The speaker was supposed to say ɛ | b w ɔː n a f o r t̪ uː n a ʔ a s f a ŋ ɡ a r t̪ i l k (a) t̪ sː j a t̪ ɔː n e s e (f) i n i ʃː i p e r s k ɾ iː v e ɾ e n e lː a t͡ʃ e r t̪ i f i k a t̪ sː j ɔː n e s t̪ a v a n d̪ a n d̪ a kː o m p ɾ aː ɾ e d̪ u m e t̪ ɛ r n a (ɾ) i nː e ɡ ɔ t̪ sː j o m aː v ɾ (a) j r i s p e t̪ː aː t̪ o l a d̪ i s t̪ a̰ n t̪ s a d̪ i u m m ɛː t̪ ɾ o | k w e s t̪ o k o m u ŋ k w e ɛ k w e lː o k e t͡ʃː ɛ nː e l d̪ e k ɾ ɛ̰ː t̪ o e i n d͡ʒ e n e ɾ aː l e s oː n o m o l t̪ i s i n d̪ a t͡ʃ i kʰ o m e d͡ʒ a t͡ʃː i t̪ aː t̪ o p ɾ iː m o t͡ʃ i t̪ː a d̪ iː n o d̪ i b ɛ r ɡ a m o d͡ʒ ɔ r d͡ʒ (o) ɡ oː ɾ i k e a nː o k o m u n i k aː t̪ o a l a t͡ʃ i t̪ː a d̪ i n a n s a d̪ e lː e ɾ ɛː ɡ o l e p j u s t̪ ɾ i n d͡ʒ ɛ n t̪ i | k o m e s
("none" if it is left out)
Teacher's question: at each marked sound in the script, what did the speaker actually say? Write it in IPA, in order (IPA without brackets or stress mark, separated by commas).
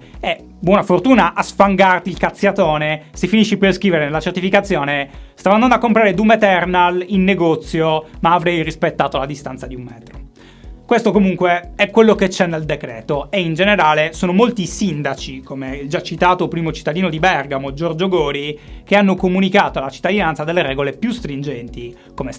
a, f, l, ɛ, o